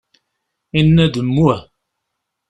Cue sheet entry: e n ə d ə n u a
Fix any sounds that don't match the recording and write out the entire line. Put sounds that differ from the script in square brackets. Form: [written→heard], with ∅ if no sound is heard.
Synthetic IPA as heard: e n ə d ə [n→m] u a